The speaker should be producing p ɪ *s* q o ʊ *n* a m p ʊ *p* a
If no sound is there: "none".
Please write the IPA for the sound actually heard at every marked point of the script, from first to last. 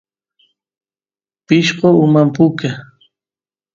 ʃ, m, k

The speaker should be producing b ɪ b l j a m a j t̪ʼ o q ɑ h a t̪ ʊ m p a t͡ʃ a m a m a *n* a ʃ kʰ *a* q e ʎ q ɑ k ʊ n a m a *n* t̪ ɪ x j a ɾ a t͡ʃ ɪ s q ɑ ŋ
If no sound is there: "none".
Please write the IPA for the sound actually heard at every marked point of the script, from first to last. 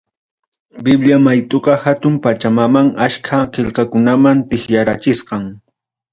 ŋ, a, n

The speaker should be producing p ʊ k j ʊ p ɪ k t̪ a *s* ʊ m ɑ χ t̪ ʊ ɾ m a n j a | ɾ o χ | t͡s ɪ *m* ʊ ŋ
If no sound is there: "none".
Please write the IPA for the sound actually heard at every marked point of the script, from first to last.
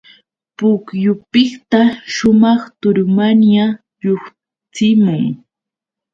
ʃ, m

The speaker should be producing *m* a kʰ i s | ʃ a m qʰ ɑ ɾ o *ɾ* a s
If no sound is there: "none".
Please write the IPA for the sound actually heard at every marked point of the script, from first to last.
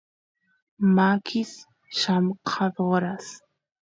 m, ɾ

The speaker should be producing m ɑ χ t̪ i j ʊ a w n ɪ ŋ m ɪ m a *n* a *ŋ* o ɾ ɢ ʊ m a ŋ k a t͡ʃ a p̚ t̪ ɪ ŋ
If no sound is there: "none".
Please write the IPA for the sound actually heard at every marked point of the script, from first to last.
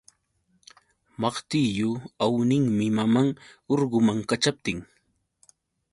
m, ŋ

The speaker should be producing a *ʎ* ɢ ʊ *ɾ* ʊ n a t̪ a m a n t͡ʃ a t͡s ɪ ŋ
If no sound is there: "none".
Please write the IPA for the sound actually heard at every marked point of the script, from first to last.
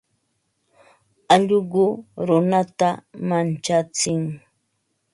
ʎ, ɾ

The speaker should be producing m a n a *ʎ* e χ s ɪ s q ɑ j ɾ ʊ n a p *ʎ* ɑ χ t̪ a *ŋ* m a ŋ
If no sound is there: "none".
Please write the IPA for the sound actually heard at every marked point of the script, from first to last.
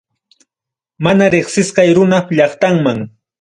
ɾ, ʎ, ŋ

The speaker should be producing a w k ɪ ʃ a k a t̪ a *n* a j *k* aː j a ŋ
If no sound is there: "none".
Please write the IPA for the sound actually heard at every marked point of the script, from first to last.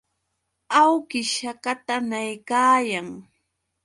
n, k

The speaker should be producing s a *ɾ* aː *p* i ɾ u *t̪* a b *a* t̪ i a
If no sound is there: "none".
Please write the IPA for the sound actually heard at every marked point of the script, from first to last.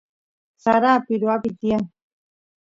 ɾ, p, none, i

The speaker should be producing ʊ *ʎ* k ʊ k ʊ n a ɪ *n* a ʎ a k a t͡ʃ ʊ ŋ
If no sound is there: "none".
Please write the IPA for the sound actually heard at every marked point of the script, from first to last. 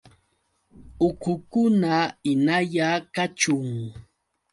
none, n

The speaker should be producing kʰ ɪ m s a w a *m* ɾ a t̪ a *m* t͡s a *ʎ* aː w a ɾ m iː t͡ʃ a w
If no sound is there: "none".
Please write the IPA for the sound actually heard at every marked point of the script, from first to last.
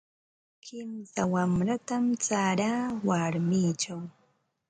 m, m, ɾ

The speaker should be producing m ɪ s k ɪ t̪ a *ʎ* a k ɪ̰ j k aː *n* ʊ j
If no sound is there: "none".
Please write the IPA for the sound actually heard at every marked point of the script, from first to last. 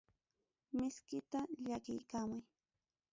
ʎ, m

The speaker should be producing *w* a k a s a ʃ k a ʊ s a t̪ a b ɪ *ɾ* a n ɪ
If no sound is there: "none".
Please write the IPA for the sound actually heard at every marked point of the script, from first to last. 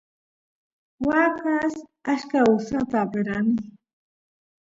w, ɾ

